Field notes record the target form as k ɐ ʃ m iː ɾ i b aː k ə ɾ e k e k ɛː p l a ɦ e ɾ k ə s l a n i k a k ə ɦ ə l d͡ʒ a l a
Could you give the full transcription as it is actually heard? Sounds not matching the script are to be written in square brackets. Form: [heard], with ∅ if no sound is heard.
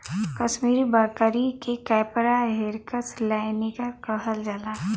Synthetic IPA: k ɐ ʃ m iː ɾ i b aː k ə ɾ [i] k e k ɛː p [ɾ] a ɦ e ɾ k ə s l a n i k a k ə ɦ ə l d͡ʒ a l a